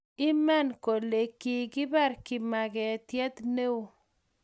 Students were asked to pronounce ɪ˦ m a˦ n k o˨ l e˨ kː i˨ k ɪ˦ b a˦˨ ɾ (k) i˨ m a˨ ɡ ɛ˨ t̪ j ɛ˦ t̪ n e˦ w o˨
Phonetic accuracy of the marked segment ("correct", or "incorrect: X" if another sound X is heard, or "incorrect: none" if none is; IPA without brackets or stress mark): correct